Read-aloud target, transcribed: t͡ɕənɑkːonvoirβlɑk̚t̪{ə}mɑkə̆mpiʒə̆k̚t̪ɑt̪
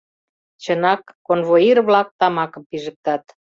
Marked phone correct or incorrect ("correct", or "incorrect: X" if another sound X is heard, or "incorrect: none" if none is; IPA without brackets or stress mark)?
incorrect: ɑ